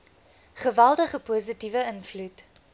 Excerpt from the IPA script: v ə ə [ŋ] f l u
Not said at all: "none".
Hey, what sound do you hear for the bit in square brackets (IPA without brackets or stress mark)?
n